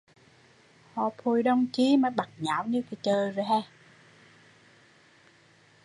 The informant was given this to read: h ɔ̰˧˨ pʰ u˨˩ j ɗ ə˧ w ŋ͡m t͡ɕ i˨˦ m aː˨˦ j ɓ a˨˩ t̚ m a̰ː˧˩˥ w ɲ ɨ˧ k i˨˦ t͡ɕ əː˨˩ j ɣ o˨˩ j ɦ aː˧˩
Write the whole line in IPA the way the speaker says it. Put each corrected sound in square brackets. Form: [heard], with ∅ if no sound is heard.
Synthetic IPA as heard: h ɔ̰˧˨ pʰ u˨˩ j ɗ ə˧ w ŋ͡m t͡ɕ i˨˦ m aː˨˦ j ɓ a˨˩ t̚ [ɲ] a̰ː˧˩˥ w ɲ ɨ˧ k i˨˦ t͡ɕ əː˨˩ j [z] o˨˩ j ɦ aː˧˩